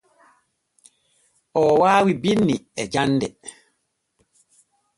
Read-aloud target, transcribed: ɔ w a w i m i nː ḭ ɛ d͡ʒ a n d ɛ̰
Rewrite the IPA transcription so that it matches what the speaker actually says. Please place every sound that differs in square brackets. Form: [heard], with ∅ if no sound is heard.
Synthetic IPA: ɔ w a w i [b] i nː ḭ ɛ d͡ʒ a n d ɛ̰